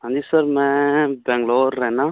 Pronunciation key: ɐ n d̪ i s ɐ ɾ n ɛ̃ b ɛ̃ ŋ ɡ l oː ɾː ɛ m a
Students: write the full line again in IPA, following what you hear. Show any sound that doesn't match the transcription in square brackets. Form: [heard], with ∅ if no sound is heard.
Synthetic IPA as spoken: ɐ n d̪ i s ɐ ɾ [m] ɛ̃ b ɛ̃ ŋ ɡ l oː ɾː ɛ [n] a